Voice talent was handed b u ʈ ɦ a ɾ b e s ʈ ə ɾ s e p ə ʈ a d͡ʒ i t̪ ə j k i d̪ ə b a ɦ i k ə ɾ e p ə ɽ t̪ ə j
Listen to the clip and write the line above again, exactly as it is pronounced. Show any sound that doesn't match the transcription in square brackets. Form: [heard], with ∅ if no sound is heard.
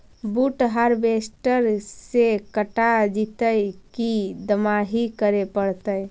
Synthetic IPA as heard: b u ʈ ɦ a ɾ b e s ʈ ə ɾ s e [k] ə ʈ a d͡ʒ i t̪ ə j k i d̪ ə [m] a ɦ i k ə ɾ e p ə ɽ t̪ ə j